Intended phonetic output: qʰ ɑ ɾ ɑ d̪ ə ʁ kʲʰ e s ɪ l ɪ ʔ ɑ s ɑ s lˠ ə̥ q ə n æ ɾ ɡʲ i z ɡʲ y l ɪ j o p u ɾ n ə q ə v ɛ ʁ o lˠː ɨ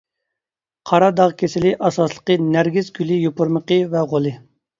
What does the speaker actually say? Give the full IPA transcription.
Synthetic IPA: qʰ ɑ ɾ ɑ d̪ ɑ ʁ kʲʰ e s ɪ l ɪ ʔ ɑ s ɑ s lˠ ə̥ q ə n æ ɾ ɡʲ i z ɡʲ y l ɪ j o p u ɾ m ə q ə v ɛ ʁ o lˠ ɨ